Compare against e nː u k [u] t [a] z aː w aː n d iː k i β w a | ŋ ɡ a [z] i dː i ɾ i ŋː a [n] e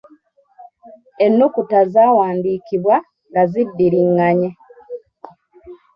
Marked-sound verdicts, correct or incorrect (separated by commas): correct, correct, correct, incorrect